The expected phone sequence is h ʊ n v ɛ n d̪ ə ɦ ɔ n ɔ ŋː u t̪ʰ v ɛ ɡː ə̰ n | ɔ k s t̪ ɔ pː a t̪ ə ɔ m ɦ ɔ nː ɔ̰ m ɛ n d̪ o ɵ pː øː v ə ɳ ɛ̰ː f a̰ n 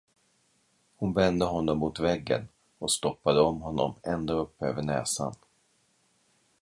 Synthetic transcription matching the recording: h ʊ n v ɛ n d̪ ə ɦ ɔ nː ɔ mː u t̪ v ɛ ɡː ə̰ n | ɔ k s t̪ ɔ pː a d̪ ə ɔ m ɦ ɔ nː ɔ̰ m ɛ n d̪ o ɵ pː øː v ə ɳ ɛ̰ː s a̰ n